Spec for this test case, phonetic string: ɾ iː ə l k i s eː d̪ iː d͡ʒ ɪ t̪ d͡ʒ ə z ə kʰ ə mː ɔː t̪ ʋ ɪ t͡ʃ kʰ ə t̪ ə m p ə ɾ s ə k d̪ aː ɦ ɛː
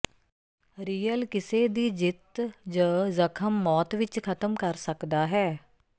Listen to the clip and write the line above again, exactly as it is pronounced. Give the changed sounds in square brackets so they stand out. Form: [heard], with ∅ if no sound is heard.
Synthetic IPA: ɾ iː ə l k [ɪ] s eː d̪ iː d͡ʒ ɪ t̪ d͡ʒ ə z ə kʰ ə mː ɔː t̪ ʋ ɪ t͡ʃ kʰ ə t̪ ə m [k] ə ɾ s ə k d̪ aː ɦ ɛː